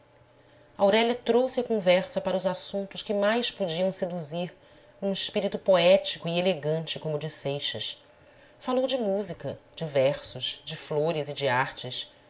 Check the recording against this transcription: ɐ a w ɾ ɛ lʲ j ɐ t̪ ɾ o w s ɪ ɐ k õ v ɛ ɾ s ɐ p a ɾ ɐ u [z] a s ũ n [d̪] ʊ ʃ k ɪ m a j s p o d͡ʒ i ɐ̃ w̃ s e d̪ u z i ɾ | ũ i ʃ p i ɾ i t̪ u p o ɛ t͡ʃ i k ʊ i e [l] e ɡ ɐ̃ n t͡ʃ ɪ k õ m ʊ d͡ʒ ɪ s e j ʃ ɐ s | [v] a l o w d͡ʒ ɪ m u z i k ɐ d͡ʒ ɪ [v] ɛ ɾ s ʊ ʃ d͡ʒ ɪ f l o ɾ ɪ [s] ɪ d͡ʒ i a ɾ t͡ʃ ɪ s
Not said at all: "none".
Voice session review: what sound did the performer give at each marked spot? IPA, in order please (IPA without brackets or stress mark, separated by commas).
z, t̪, l, f, v, z